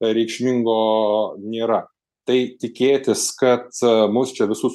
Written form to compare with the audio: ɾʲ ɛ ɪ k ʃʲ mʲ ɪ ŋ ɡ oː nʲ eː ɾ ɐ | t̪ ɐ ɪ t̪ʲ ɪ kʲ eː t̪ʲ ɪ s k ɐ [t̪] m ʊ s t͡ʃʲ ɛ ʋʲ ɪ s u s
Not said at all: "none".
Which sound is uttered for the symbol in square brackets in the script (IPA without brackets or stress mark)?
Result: t̪